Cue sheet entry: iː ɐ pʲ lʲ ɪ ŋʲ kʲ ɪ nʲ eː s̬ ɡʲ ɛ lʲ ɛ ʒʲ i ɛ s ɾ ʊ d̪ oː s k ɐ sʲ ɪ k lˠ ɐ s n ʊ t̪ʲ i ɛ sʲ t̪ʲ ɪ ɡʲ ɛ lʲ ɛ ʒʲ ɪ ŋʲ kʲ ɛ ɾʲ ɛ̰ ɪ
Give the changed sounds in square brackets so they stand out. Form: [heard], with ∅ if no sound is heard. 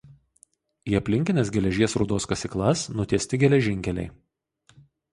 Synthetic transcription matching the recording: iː ɐ pʲ lʲ ɪ ŋʲ kʲ ɪ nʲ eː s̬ ɡʲ ɛ lʲ ɛ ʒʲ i ɛ s ɾ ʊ d̪ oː s k ɐ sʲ ɪ k lˠ ɐ s n ʊ t̪ʲ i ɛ sʲ t̪ʲ ɪ ɡʲ ɛ lʲ ɛ ʒʲ ɪ ŋʲ kʲ ɛ [lʲ] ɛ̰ ɪ